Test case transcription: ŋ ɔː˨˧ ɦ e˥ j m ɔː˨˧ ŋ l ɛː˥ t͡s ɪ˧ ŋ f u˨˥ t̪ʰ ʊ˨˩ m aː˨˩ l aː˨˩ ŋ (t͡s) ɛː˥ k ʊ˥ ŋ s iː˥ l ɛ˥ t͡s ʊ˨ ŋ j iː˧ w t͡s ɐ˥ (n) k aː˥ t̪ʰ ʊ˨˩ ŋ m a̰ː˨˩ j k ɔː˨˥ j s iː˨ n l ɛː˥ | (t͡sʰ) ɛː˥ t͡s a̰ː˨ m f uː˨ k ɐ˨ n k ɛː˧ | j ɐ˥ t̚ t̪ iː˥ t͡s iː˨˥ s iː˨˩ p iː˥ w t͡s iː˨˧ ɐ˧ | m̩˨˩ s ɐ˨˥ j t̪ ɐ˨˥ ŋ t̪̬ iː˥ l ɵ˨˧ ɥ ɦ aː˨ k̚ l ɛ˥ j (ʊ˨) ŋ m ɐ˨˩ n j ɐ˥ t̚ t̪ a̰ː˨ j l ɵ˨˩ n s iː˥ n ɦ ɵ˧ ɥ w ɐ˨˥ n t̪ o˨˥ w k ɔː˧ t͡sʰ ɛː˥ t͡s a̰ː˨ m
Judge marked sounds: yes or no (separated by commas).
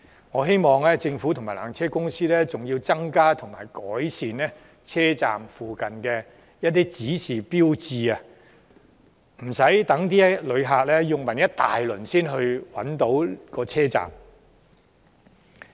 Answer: no, no, yes, yes